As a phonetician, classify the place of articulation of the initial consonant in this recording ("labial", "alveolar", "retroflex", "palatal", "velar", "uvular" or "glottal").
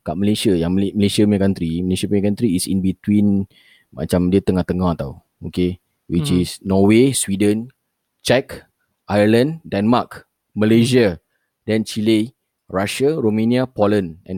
velar